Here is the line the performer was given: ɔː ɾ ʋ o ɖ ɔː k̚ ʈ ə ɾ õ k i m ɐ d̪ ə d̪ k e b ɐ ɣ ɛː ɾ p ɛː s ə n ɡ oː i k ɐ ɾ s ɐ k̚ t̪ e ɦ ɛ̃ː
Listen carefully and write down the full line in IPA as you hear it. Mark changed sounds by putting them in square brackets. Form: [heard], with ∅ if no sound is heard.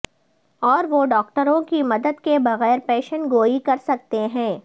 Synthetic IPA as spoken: ɔː ɾ ʋ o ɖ ɔː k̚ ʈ ə ɾ õ k i m ɐ d̪ ə d̪ k e b ɐ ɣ ɛː ɾ p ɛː [ʃ] ə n ɡ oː i k ɐ ɾ s ɐ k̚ t̪ e ɦ ɛ̃ː